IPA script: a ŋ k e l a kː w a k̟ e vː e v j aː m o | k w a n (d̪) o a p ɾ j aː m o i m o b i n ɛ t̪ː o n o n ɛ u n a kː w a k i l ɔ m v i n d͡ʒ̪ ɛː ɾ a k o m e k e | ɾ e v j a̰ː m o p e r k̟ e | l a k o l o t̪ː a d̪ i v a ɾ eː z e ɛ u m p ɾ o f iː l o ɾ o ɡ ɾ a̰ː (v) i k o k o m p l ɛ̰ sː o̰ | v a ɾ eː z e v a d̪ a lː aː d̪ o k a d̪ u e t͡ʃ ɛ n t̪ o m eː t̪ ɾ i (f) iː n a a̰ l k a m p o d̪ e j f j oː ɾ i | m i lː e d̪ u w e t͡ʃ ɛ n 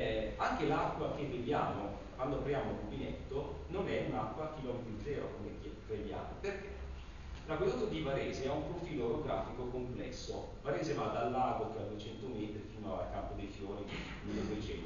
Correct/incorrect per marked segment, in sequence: correct, incorrect: f, correct

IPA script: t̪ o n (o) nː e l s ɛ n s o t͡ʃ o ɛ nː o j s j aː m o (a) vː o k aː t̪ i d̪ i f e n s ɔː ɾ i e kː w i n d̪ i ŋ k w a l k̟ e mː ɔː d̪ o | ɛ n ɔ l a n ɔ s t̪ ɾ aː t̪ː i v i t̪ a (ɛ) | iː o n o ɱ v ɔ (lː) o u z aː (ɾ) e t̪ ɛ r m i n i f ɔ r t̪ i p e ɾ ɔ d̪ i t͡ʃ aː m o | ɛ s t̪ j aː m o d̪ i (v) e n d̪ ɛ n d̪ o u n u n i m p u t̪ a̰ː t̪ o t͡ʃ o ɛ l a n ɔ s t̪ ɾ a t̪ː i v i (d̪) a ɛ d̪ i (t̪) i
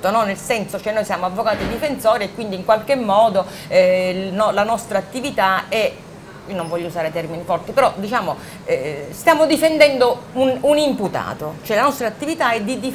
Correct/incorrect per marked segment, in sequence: incorrect: ɔ, correct, correct, incorrect: ʎː, correct, incorrect: f, incorrect: t̪, incorrect: d̪

